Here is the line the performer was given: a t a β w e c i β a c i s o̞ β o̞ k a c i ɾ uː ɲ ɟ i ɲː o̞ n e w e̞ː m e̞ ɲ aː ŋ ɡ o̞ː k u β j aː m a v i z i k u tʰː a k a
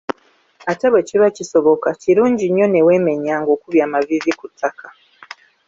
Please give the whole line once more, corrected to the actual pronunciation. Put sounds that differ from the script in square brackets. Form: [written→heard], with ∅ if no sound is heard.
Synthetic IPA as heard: a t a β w e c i β a c i s o̞ β o̞ k a c i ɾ uː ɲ ɟ i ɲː o̞ n e w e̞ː m e̞ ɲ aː ŋ ɡ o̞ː k u β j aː m a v i z i k u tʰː a k a